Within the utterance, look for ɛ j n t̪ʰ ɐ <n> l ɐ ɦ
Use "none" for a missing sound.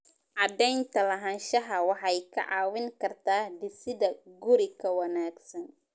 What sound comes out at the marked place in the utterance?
none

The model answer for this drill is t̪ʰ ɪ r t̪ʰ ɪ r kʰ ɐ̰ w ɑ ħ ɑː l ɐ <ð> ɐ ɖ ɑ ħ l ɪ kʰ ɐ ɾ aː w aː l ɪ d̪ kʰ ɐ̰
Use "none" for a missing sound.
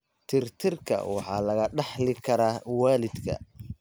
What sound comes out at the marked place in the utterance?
ɣ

